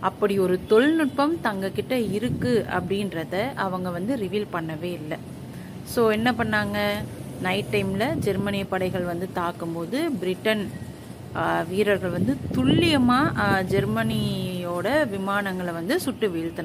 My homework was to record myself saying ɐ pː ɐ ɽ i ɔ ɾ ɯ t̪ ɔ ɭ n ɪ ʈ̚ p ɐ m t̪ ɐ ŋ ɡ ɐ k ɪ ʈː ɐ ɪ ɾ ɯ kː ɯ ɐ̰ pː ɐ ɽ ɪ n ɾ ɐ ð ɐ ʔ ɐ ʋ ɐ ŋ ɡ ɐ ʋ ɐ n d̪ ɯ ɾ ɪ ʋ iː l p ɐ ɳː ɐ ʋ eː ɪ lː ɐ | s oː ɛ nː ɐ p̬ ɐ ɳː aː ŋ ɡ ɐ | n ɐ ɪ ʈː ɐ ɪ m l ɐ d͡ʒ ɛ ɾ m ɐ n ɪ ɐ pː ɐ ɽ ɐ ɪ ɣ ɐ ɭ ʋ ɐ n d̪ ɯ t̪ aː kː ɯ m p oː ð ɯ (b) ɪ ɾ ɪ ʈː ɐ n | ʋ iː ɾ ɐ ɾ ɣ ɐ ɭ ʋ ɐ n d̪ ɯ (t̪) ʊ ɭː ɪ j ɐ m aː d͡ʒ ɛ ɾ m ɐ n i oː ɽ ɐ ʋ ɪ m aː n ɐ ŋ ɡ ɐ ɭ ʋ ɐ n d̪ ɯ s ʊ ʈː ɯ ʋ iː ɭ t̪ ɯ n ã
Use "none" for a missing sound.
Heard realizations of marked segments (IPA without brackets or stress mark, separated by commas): b, t̪